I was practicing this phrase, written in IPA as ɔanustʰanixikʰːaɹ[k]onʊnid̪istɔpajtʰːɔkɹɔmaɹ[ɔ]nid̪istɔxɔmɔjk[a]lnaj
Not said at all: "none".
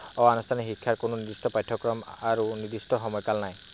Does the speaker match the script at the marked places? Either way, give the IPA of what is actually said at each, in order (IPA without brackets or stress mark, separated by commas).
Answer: k, u, a